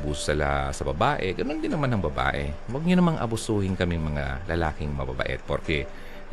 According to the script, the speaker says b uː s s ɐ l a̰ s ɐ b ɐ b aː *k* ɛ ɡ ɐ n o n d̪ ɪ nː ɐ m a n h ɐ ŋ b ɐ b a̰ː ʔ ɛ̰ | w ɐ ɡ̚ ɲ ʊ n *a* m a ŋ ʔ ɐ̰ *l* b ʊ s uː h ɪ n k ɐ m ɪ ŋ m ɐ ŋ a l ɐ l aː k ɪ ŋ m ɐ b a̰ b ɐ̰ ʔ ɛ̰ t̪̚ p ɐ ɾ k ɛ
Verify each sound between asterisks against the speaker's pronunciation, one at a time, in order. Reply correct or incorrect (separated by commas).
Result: incorrect, incorrect, incorrect